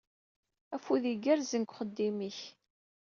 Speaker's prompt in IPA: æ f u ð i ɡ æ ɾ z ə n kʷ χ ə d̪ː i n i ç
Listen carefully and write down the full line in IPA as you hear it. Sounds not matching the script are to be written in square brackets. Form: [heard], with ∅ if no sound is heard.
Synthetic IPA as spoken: æ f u ð i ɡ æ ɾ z ə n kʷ χ ə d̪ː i [m] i ç